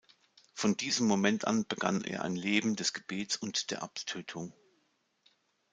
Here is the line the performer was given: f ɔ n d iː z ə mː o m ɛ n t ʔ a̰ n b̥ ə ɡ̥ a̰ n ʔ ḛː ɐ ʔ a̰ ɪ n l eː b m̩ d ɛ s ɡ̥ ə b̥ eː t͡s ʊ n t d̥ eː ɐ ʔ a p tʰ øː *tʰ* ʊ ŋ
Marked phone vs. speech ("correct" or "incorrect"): correct